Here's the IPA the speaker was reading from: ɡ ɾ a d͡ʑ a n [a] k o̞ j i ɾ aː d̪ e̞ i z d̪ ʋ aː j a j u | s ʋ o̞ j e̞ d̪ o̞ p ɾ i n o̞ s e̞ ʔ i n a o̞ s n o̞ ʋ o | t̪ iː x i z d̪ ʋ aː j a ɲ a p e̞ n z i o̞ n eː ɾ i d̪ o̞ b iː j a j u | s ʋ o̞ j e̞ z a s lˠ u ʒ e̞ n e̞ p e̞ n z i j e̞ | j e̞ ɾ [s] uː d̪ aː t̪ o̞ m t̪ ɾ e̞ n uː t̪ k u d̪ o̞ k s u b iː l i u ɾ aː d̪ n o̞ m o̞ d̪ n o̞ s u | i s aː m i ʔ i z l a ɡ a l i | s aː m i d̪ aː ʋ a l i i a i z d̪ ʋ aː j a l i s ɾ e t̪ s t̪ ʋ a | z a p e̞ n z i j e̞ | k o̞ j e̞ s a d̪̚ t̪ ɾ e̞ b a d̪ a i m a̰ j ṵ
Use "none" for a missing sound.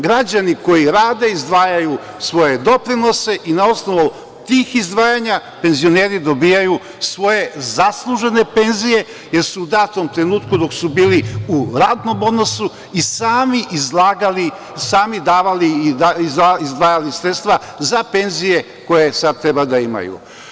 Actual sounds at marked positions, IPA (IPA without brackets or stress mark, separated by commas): i, s